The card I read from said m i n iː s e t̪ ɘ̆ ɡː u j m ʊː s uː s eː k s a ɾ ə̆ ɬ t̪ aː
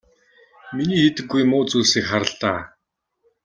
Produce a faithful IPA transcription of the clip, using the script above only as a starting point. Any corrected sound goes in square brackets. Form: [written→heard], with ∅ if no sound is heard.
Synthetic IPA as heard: m i n iː [s→x] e t̪ ɘ̆ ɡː u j m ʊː [s→t͡s] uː s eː k [s→χ] a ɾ ə̆ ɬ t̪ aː